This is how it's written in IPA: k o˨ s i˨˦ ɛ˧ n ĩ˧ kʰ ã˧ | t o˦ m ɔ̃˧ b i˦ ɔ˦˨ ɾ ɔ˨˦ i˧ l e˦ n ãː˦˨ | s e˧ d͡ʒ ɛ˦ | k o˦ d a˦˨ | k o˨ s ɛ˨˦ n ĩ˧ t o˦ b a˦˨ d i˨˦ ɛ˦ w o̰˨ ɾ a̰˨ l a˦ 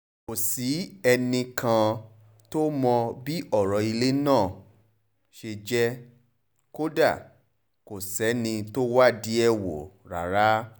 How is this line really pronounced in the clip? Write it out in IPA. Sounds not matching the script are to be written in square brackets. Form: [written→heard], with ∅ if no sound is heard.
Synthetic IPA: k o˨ s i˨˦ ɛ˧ n ĩ˧ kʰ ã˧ | t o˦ m ɔ̃˧ b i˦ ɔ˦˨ ɾ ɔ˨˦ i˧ l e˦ n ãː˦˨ | [s→ʃ] e˧ d͡ʒ ɛ˦ | k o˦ d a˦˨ | k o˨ s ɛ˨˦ n ĩ˧ t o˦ [b→w] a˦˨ d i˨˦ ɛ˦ w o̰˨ ɾ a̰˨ [l→ɾ] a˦